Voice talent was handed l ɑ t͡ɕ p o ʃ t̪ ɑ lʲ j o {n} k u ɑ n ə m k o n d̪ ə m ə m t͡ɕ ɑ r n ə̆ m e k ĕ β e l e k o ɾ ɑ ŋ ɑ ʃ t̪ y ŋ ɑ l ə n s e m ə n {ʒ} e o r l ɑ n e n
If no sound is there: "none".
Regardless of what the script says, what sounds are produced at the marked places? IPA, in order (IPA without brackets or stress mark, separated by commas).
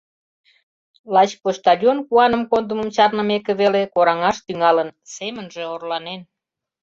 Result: n, ʒ